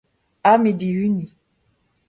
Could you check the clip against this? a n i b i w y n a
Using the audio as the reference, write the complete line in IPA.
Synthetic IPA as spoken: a m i d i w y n i